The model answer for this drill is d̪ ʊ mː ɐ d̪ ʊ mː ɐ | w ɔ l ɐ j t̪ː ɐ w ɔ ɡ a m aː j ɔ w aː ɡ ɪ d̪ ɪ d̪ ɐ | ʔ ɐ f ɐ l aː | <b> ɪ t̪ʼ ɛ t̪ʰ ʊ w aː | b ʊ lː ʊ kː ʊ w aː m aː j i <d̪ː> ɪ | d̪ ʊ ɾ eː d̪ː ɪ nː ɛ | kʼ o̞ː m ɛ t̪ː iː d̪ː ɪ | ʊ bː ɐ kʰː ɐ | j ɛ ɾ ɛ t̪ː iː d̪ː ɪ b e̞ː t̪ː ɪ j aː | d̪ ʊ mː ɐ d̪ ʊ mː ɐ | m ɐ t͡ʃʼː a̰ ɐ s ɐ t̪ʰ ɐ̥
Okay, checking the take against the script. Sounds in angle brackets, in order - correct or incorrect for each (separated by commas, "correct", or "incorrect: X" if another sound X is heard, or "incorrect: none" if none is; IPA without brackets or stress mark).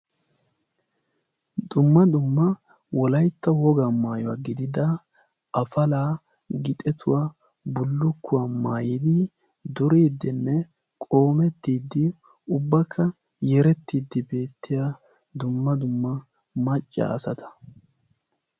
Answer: incorrect: ɡ, incorrect: d̪